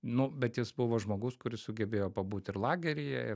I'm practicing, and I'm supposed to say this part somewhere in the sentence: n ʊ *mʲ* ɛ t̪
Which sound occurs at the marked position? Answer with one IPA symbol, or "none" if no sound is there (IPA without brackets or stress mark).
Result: bʲ